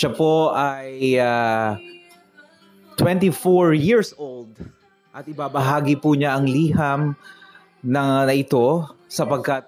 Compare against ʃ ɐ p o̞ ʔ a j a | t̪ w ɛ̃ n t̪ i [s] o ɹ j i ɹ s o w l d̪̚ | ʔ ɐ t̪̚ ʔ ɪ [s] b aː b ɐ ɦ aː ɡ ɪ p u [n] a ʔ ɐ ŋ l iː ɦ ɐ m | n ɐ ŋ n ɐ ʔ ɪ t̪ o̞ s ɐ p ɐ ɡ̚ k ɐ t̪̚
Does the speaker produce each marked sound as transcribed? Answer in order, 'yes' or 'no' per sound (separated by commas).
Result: no, no, no